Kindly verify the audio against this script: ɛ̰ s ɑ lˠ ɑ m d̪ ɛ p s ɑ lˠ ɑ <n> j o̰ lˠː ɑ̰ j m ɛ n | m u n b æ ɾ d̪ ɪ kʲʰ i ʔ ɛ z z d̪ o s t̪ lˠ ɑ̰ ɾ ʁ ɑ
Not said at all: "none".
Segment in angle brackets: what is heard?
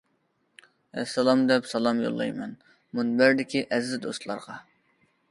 m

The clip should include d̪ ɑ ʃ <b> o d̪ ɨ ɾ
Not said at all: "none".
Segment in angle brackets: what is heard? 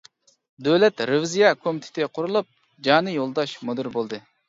m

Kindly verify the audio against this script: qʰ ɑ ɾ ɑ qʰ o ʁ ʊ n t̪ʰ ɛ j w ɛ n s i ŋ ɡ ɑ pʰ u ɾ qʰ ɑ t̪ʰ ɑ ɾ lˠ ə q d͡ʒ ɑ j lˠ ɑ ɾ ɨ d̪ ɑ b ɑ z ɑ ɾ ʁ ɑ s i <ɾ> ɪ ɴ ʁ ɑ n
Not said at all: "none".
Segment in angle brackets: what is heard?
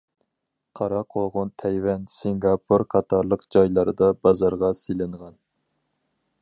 l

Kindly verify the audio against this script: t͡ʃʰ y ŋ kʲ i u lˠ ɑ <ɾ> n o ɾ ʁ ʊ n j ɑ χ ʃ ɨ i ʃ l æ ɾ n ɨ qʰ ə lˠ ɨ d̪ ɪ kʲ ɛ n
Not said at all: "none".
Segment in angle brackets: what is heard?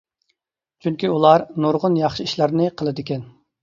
ɾ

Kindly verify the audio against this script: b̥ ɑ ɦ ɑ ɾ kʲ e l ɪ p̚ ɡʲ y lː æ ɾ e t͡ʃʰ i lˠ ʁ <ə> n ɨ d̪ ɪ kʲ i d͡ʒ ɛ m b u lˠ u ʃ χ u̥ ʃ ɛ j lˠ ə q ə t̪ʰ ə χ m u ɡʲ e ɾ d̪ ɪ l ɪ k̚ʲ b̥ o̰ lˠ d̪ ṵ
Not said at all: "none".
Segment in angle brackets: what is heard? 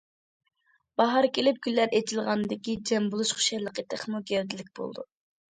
ɑ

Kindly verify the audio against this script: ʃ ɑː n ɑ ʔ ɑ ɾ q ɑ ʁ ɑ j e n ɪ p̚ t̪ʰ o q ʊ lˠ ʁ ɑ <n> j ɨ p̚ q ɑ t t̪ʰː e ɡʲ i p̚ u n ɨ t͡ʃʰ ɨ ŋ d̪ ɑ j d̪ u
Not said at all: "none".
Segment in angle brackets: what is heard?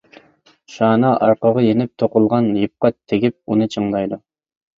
n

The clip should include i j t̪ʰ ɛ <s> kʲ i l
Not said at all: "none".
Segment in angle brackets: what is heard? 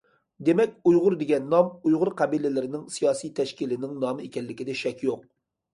ʃ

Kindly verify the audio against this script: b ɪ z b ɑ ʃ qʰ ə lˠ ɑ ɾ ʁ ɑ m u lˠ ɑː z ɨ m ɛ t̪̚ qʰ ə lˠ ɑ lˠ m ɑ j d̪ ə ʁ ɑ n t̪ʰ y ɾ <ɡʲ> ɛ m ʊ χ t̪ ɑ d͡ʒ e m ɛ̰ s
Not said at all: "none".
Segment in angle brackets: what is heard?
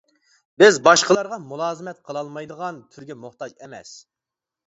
ɡʲ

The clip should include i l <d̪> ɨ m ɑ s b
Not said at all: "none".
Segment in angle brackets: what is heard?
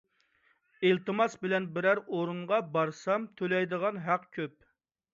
t̪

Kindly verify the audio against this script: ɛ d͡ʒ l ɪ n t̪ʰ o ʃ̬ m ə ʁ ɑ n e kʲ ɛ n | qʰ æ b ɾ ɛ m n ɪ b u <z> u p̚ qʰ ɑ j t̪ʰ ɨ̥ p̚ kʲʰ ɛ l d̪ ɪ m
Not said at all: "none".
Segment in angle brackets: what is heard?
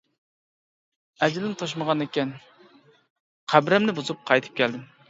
z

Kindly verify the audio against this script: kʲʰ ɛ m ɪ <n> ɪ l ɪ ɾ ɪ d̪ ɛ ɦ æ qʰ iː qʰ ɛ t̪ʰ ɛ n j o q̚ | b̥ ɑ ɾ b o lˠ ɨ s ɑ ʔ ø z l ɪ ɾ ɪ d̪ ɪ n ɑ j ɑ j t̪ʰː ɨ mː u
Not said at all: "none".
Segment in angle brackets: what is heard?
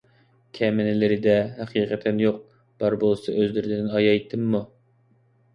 n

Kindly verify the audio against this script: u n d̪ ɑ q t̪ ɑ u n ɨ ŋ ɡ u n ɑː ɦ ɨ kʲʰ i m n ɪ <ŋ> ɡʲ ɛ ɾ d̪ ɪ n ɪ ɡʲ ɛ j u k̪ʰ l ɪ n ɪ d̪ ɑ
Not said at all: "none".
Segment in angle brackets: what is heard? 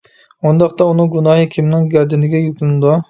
ŋ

